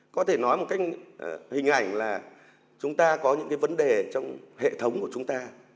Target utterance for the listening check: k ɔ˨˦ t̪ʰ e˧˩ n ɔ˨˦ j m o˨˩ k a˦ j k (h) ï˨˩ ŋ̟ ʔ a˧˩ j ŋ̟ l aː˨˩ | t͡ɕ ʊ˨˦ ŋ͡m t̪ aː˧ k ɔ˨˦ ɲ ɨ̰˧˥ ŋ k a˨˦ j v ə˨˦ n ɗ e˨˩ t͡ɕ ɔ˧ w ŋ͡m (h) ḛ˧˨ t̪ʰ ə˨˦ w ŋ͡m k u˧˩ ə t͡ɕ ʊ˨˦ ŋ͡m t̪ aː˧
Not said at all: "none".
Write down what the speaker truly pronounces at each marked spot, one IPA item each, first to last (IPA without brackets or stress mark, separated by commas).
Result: h, h